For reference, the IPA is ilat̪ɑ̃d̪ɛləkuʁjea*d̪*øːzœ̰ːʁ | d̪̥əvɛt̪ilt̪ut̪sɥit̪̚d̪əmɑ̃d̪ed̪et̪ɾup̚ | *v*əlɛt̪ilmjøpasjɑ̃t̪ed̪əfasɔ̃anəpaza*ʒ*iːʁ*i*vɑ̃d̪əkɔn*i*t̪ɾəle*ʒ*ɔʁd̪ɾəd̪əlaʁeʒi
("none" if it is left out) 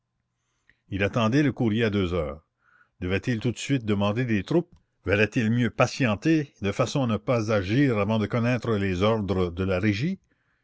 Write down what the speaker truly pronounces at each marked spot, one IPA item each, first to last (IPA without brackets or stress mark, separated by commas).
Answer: d̪, v, ʒ, a, ɛ, z